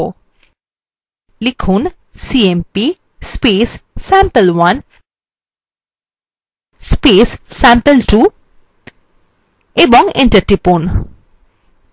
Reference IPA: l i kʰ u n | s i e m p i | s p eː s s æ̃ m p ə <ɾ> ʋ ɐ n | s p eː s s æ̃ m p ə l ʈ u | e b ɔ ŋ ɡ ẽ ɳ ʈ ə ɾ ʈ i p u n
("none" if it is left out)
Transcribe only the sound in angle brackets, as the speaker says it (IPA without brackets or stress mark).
l